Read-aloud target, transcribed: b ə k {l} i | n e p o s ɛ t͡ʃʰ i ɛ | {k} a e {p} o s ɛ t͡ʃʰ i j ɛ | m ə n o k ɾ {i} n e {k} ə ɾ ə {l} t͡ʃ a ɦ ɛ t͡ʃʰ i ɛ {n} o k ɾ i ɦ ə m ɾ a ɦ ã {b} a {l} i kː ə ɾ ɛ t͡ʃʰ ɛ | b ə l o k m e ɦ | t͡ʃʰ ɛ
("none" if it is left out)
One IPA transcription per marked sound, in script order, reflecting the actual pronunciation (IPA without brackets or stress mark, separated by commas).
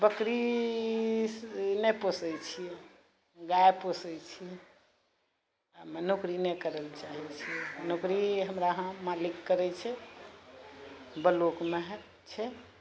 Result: ɾ, ɡ, p, i, k, l, n, m, l